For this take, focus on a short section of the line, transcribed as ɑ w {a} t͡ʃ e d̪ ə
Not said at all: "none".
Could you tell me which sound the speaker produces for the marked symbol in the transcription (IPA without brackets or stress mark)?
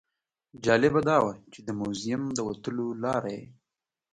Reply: a